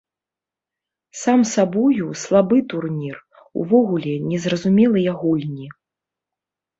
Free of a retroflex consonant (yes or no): yes